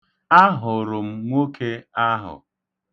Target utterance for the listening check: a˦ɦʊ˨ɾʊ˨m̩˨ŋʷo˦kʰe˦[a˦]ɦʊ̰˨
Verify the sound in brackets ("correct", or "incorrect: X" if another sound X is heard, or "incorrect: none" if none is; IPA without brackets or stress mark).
correct